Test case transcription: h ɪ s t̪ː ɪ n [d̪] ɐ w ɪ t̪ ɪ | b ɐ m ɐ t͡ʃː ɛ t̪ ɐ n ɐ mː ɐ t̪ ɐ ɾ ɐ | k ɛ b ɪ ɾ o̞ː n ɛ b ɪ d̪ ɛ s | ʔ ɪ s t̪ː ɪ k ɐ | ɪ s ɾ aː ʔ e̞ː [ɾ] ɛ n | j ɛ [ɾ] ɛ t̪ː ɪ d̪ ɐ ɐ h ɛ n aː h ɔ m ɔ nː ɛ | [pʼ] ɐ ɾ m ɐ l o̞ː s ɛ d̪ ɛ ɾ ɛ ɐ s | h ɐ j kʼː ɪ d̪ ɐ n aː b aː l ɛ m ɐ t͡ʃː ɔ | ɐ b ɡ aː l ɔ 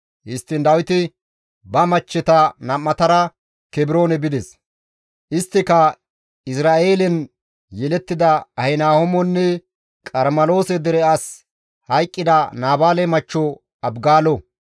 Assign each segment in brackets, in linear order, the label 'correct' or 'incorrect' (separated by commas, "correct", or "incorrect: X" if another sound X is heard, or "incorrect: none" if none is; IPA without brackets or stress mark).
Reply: correct, incorrect: l, incorrect: l, incorrect: kʼ